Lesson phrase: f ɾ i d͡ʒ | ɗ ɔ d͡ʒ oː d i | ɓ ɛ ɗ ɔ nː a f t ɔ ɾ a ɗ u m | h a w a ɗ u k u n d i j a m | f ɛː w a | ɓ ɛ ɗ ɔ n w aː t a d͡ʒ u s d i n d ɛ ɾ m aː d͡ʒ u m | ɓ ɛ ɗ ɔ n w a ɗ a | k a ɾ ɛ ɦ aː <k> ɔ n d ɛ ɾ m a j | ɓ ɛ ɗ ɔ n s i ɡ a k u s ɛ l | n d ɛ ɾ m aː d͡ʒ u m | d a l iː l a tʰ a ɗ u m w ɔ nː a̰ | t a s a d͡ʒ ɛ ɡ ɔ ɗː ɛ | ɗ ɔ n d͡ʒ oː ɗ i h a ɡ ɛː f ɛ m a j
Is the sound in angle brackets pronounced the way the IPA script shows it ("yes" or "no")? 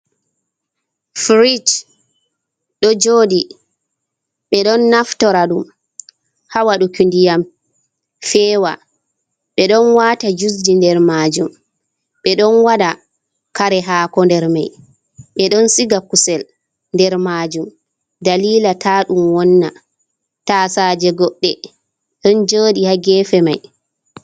yes